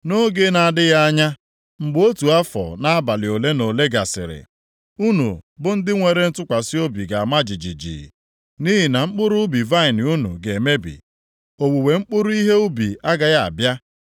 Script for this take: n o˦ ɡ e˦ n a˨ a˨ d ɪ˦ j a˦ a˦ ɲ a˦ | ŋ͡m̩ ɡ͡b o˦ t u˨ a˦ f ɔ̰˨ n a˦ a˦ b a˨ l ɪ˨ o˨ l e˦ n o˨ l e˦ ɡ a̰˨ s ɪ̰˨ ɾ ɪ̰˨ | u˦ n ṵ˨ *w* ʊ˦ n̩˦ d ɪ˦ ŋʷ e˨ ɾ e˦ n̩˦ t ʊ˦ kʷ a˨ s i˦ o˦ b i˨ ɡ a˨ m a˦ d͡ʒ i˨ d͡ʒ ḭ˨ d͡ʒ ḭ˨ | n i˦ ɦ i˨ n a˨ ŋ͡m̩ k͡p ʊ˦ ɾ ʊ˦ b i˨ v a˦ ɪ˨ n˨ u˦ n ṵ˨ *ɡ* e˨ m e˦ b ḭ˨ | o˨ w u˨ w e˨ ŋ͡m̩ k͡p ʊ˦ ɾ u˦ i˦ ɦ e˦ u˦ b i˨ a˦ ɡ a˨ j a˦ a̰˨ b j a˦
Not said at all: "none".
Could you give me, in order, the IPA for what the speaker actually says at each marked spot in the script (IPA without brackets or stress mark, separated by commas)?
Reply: b, ɡ